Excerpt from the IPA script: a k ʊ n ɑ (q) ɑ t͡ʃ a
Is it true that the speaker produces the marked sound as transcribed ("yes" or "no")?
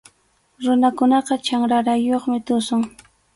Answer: yes